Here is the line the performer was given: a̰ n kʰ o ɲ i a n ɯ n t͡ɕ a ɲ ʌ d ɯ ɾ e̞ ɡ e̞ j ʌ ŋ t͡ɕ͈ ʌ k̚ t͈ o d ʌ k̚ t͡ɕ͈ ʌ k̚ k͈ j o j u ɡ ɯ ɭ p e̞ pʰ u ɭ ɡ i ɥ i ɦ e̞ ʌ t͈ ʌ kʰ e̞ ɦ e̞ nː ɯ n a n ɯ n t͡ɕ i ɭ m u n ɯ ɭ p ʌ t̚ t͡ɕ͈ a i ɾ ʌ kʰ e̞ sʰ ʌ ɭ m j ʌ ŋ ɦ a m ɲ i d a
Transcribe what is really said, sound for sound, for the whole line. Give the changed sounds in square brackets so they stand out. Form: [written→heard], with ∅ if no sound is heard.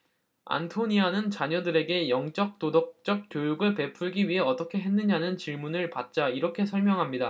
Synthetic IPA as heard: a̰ n [kʰ→tʰ] o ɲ i a n ɯ n t͡ɕ a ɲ ʌ d ɯ ɾ e̞ ɡ e̞ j ʌ ŋ t͡ɕ͈ ʌ k̚ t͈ o d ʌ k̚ t͡ɕ͈ ʌ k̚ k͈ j o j u ɡ ɯ ɭ p e̞ pʰ u ɭ ɡ i ɥ i ɦ e̞ ʌ t͈ ʌ kʰ e̞ ɦ e̞ nː ɯ [n→ɲ] a n ɯ n t͡ɕ i ɭ m u n ɯ ɭ p [ʌ→a] t̚ t͡ɕ͈ a i ɾ ʌ kʰ e̞ sʰ ʌ ɭ m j ʌ ŋ ɦ a m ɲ i d a